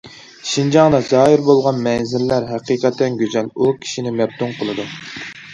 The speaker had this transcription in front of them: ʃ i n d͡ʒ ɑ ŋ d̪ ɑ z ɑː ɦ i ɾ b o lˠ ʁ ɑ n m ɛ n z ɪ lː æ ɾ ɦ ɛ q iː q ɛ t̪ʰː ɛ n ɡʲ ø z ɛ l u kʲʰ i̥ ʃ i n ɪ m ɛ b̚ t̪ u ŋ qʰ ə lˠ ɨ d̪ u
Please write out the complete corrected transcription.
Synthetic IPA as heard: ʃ i n d͡ʒ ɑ ŋ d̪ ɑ z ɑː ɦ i ɾ b o lˠ ʁ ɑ n m ɛ n z ɪ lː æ ɾ ɦ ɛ q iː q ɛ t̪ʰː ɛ n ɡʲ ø z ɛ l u kʲʰ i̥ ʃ i n ɪ m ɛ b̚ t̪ u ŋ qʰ ə lˠ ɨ d̪ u